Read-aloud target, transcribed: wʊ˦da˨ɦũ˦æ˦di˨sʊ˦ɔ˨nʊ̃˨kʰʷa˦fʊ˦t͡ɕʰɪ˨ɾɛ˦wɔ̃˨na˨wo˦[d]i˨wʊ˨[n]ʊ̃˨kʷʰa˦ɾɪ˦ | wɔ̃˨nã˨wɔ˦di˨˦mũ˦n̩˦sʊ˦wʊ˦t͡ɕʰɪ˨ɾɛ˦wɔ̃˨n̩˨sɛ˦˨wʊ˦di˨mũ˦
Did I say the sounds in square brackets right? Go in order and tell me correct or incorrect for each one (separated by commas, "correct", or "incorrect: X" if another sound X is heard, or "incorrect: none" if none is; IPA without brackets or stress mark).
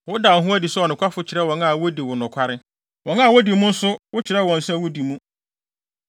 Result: correct, correct